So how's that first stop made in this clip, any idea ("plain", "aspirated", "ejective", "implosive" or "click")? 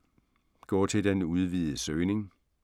plain